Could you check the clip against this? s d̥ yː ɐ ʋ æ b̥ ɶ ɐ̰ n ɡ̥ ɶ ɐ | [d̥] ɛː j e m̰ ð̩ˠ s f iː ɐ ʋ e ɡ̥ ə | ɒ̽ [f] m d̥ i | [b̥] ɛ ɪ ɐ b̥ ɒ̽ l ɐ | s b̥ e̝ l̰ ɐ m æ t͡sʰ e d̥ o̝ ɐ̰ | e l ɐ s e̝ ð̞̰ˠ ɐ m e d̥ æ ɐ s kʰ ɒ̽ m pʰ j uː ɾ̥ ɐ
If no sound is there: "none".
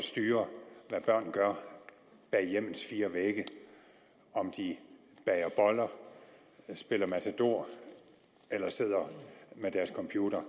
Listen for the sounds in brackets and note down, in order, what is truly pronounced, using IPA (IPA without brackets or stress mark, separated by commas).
b̥, none, b̥